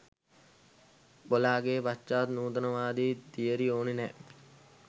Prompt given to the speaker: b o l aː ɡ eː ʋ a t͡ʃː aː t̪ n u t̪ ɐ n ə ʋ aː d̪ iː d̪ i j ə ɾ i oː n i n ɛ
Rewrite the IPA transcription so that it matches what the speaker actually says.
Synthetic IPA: b o l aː ɡ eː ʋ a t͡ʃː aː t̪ n uː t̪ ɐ n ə ʋ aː d̪ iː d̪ i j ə ɾ i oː n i n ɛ